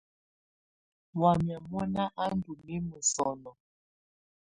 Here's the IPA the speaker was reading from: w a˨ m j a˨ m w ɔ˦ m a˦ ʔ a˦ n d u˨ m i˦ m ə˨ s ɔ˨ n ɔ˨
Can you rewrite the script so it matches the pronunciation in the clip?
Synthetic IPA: w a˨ m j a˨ m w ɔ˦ n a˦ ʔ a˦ n d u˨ m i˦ m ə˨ s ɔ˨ n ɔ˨

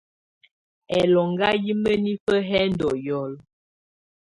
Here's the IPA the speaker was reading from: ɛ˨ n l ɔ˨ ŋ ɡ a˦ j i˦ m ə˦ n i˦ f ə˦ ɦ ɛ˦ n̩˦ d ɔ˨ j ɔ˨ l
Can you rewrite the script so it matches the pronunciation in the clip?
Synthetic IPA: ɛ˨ l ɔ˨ ŋ ɡ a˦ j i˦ m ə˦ n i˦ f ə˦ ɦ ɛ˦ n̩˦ d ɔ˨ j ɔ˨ l

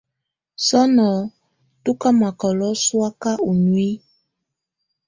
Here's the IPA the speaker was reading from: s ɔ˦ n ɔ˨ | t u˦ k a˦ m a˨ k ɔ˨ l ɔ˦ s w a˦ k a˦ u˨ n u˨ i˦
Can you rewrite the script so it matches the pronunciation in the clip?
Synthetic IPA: s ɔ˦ n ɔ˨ | t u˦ k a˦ m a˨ k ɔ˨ l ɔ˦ s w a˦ k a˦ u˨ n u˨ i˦

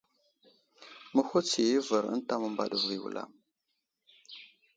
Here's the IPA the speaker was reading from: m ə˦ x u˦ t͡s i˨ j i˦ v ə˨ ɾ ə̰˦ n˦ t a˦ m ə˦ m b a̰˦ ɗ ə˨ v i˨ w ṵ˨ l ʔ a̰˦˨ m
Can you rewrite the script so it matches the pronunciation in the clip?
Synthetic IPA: m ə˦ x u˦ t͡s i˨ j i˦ v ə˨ ɾ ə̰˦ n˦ t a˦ m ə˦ m b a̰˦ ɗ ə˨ v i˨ w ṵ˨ l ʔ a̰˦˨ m

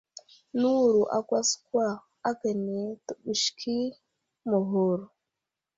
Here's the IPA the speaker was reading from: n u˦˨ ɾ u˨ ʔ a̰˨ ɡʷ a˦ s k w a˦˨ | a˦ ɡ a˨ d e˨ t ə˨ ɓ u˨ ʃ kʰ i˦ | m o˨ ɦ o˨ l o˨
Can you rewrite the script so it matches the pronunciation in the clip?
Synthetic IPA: n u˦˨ ɾ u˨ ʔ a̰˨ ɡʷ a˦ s k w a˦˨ | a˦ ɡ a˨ n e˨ t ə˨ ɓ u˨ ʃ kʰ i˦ | m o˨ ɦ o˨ ɾ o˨

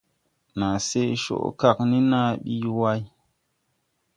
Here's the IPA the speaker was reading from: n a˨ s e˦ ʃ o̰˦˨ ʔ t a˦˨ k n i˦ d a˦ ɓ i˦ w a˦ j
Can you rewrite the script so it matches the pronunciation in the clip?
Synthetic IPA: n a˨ s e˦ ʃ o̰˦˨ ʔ k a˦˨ k n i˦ n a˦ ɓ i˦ w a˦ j

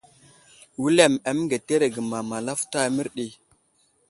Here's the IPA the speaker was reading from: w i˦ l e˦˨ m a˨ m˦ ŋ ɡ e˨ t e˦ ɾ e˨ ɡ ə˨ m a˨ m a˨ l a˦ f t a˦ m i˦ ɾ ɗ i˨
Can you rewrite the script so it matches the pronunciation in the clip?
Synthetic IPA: w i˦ l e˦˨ m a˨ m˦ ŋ ɡ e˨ t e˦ ɾ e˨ ɡ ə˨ m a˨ m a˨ l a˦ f t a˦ m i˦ ɾ ɗ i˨

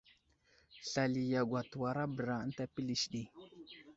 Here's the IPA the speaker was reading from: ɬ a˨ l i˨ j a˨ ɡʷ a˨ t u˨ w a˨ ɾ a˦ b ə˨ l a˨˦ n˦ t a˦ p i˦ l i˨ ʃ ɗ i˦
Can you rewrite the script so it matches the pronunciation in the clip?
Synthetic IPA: ɬ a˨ l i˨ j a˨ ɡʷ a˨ t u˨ w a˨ ɾ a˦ b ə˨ ɾ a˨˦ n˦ t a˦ p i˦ l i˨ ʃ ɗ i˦

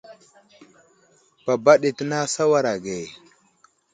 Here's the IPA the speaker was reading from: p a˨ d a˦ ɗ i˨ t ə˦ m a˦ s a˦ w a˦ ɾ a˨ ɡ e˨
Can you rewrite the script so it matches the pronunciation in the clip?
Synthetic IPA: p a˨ b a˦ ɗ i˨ t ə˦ n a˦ s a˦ w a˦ ɾ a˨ ɡ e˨

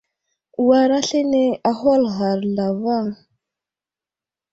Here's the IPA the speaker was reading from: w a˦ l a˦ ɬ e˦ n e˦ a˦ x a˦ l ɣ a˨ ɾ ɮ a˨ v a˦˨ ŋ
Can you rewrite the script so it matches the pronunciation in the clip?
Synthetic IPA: w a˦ ɾ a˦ ɬ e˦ n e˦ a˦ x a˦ l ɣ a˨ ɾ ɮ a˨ v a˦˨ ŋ

